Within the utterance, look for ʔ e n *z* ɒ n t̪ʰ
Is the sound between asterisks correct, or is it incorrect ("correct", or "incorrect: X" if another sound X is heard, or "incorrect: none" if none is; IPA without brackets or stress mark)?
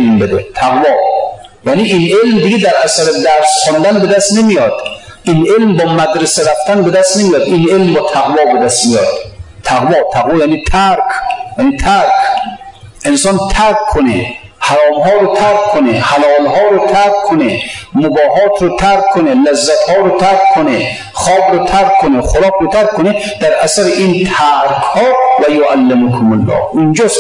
incorrect: s